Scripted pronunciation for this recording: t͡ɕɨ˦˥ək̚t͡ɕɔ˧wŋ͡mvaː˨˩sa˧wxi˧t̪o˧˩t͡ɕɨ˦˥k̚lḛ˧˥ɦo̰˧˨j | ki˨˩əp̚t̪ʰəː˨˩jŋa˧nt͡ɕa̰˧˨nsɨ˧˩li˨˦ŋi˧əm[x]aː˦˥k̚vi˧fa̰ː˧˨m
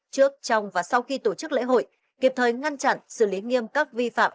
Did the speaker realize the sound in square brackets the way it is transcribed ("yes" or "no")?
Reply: no